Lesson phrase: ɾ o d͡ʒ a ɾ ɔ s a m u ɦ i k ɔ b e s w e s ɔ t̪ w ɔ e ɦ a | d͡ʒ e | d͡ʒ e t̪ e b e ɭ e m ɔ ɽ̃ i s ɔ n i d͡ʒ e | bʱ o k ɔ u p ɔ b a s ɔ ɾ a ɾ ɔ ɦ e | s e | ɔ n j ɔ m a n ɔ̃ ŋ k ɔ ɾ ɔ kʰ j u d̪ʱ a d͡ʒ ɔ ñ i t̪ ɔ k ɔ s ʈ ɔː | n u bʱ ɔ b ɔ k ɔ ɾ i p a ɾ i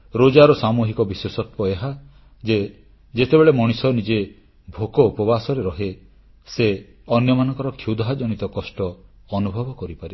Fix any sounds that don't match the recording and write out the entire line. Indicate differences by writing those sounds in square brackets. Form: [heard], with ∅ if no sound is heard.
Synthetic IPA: ɾ o d͡ʒ a ɾ ɔ s a m u ɦ i k ɔ b [i] s w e s ɔ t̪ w ɔ e ɦ a | d͡ʒ e | d͡ʒ e t̪ e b e ɭ e m ɔ ɽ̃ i s ɔ n i d͡ʒ e | bʱ o k ɔ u p ɔ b a s ɔ ɾ [e] ɾ ɔ ɦ e | s e | ɔ n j ɔ m a n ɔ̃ ŋ k ɔ ɾ ɔ kʰ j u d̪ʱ a d͡ʒ ɔ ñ i t̪ ɔ k ɔ s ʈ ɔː | n u bʱ ɔ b ɔ k ɔ ɾ i p a ɾ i

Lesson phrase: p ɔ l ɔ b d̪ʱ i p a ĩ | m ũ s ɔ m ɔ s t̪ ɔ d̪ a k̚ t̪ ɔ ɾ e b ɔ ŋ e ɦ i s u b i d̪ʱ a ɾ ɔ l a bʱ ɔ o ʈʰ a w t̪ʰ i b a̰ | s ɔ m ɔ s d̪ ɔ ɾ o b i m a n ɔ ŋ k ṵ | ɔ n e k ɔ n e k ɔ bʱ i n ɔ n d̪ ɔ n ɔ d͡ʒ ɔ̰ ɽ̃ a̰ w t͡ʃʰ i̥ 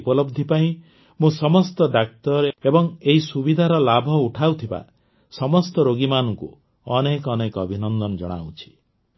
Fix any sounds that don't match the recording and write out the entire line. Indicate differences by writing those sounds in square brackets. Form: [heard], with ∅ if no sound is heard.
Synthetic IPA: p ɔ l ɔ b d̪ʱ i p a ĩ | m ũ s ɔ m ɔ s t̪ ɔ d̪ a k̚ t̪ ɔ ɾ e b ɔ ŋ e ɦ i s u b i d̪ʱ a ɾ ɔ l a bʱ ɔ [u] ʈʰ a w t̪ʰ i b a̰ | s ɔ m ɔ s [t̪] ɔ ɾ o [ɡ] i m a n ɔ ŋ k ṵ | ɔ n e k ɔ n e k ɔ bʱ i n ɔ n d̪ ɔ n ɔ d͡ʒ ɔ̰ ɽ̃ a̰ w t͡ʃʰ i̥

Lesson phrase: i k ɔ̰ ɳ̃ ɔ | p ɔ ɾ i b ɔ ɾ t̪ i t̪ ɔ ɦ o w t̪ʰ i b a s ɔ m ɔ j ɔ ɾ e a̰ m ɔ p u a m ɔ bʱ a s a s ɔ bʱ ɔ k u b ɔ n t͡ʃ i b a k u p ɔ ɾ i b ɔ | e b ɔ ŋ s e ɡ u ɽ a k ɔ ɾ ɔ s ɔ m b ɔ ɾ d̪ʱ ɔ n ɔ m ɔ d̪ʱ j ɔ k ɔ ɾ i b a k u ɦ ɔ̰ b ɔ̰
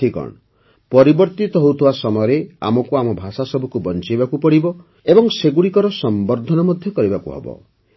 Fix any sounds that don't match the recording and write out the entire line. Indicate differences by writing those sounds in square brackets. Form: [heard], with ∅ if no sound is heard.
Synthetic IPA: i k ɔ̰ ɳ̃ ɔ | p ɔ ɾ i b ɔ ɾ t̪ i t̪ ɔ ɦ o w t̪ʰ i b a s ɔ m ɔ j ɔ ɾ e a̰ m ɔ [k] u a m ɔ bʱ a s a s ɔ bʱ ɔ k u b ɔ n t͡ʃ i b a k u p ɔ [ɽ] i b ɔ | e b ɔ ŋ s e ɡ u ɽ [i] k ɔ ɾ ɔ s ɔ m b ɔ ɾ d̪ʱ ɔ n ɔ m ɔ d̪ʱ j ɔ k ɔ ɾ i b a k u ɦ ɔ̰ b ɔ̰

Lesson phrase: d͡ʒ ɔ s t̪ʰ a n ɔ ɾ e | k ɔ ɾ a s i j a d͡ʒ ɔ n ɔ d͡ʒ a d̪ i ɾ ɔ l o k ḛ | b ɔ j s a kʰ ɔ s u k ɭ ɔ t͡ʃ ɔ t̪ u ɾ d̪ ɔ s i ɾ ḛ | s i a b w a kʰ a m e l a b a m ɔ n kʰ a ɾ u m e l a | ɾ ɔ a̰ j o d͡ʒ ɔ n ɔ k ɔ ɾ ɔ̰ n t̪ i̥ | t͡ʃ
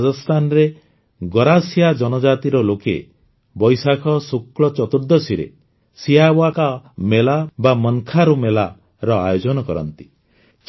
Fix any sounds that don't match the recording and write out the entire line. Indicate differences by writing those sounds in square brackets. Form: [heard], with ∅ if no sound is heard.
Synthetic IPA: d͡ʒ ɔ s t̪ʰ a n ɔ ɾ e | [ɡ] ɔ ɾ a s i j a d͡ʒ ɔ n ɔ d͡ʒ a [t̪] i ɾ ɔ l o k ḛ | b ɔ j s a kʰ ɔ s u k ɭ ɔ t͡ʃ ɔ t̪ u ɾ d̪ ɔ s i ɾ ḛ | s i a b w a [k] a m e l a b a m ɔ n kʰ a ɾ u m e l a | ɾ ɔ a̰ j o d͡ʒ ɔ n ɔ k ɔ ɾ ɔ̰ n t̪ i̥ | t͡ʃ

